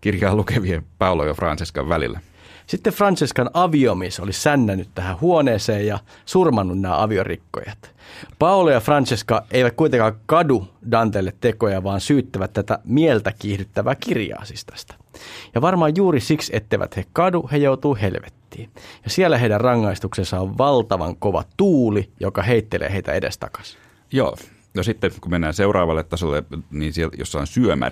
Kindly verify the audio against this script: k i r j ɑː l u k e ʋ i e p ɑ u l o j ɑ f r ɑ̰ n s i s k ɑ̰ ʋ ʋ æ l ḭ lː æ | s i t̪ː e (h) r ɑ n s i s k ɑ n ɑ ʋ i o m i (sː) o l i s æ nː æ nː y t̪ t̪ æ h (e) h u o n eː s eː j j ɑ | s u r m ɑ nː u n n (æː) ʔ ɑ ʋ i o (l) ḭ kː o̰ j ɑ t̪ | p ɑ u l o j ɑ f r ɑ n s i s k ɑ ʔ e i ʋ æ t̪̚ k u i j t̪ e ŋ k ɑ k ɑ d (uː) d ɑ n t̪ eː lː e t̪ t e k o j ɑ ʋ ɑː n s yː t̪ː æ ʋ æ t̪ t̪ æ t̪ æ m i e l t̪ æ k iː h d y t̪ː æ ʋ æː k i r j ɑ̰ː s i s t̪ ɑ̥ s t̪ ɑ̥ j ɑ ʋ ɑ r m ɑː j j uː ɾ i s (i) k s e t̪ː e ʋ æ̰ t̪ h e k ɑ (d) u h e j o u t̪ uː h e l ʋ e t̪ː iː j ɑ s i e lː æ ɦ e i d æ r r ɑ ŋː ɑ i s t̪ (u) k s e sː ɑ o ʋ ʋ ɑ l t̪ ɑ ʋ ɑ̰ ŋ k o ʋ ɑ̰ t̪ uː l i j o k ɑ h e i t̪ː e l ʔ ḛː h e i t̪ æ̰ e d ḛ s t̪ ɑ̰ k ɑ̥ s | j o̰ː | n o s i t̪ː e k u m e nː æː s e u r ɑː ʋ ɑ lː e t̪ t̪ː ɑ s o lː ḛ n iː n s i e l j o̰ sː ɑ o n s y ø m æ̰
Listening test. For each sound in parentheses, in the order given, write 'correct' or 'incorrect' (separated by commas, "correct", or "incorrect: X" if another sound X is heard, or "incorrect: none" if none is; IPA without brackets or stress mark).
incorrect: f, incorrect: s, incorrect: æ, correct, incorrect: r, incorrect: u, correct, correct, correct